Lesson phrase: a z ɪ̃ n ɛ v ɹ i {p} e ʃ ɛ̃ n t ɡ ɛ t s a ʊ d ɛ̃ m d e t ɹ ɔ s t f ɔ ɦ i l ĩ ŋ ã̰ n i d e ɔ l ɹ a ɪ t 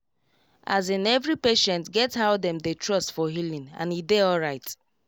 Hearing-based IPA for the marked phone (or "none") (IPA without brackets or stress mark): p